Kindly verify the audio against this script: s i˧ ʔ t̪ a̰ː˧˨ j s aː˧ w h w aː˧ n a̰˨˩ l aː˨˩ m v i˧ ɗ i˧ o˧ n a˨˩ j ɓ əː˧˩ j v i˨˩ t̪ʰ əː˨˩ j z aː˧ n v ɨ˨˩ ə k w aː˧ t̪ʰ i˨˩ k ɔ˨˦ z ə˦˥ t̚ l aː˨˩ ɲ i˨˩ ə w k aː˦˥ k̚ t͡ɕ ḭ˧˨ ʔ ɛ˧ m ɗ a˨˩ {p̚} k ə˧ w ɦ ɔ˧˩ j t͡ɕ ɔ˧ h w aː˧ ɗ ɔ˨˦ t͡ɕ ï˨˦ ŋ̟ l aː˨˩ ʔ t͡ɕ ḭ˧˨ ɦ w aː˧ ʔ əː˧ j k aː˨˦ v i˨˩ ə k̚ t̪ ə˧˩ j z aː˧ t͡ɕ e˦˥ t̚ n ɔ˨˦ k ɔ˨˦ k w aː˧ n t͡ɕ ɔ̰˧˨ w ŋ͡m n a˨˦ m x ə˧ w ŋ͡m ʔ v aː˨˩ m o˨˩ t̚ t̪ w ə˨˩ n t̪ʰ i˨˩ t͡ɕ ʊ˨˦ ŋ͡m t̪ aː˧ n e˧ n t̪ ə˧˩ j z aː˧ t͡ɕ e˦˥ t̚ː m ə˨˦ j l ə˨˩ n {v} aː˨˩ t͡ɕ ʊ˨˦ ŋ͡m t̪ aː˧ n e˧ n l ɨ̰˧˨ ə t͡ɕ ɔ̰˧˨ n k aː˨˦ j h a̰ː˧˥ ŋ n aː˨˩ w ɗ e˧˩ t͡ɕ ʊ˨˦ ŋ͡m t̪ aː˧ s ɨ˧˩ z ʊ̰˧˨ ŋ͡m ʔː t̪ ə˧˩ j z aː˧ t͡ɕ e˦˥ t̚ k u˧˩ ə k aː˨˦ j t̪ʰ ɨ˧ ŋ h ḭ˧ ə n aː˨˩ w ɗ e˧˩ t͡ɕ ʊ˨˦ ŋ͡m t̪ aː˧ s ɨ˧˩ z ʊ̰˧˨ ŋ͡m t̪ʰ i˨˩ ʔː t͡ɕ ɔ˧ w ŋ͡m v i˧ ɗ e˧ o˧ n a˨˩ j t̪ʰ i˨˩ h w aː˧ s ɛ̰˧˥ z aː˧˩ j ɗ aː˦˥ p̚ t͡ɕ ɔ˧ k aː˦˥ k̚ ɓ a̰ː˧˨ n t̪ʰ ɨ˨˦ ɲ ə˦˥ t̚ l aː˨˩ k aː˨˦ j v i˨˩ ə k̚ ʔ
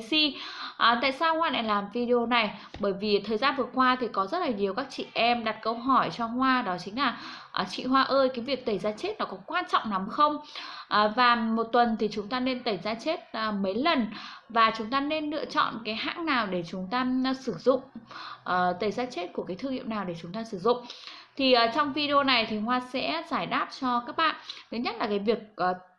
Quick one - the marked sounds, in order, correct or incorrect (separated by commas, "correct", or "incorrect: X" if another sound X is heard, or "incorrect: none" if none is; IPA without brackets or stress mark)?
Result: incorrect: t̚, correct